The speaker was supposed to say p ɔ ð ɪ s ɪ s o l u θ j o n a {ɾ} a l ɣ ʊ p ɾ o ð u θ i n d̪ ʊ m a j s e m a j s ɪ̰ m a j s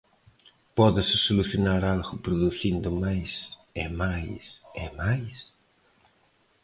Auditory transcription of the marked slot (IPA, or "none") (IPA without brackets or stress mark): ɾ